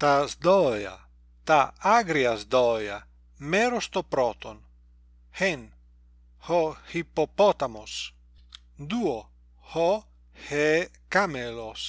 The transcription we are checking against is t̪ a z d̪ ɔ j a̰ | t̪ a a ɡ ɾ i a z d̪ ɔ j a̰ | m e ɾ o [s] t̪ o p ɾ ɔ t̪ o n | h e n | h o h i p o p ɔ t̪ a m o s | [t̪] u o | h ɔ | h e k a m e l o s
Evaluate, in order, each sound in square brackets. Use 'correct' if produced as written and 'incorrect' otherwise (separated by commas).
correct, incorrect